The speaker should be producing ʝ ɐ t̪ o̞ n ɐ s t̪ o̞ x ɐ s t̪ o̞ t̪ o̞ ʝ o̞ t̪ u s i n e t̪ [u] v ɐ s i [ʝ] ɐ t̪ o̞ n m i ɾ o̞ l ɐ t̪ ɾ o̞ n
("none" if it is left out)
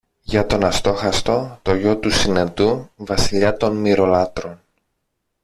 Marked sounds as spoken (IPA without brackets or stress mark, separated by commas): u, ʎ